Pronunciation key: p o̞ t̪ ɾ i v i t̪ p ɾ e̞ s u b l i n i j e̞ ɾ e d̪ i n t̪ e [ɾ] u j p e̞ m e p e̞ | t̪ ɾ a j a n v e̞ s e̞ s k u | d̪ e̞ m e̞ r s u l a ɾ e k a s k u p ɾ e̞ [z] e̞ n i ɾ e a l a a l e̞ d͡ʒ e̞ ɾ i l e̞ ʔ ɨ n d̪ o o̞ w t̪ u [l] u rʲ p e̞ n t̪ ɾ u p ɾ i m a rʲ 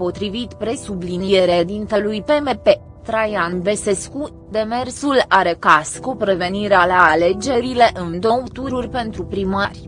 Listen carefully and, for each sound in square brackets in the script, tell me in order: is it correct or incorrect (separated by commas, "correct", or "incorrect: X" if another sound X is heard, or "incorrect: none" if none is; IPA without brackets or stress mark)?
incorrect: l, incorrect: v, incorrect: ɾ